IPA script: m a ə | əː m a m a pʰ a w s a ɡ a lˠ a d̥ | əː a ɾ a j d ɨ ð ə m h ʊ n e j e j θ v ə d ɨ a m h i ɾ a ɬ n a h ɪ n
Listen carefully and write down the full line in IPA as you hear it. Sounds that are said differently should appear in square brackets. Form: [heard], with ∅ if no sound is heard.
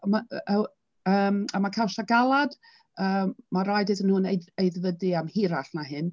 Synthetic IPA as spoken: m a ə | əː m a m a [kʰ] a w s a ɡ a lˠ a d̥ | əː a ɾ a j d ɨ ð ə [n] h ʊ n e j e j [ð] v ə d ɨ a m h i ɾ a ɬ n a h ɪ n